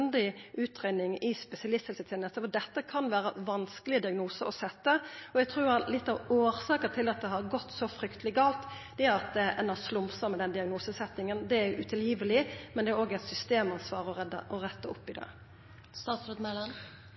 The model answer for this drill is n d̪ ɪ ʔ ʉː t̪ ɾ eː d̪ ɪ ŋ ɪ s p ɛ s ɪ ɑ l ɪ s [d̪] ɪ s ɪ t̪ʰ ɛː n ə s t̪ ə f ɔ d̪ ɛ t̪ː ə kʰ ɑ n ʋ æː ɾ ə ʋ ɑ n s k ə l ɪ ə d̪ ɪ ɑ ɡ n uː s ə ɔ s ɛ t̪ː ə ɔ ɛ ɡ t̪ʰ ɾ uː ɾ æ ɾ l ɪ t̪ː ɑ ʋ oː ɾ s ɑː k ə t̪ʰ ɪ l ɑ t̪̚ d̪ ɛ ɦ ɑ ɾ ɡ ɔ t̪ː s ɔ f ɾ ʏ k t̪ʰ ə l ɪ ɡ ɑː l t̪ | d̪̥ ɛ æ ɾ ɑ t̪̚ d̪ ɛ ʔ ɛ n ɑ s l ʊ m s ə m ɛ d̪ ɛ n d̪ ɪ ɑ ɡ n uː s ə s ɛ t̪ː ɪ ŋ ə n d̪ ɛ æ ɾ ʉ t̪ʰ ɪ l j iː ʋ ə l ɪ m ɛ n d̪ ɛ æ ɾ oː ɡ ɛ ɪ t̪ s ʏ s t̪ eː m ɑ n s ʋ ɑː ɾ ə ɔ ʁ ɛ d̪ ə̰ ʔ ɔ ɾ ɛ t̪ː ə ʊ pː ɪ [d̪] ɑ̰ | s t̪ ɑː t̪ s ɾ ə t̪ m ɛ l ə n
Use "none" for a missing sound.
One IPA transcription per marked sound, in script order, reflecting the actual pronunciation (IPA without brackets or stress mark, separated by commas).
t̪, d̪